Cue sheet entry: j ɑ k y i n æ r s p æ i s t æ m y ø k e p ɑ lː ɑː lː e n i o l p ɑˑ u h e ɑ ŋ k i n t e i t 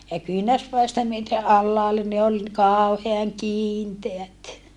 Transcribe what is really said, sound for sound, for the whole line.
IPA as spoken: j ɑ k y i n æ r s p æ i s t æ m y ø t e ʔ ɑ lː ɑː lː e n i o l k ɑˑ u h e ɑ ŋ k iː n t e æ t